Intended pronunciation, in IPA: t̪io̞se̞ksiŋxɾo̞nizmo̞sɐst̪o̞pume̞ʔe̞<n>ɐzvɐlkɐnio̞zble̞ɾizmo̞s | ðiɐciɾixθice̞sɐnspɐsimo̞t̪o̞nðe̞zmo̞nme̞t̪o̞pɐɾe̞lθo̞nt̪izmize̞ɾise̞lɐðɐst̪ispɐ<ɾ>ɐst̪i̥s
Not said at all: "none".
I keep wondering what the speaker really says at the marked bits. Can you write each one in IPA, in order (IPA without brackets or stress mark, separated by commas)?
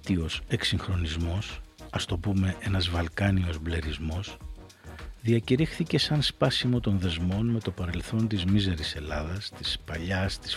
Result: n, ʎ